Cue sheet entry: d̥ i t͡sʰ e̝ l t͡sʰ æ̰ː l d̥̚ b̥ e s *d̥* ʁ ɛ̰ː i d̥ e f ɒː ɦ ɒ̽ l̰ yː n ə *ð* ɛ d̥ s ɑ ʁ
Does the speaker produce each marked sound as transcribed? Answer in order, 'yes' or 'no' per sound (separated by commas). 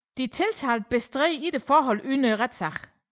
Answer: yes, no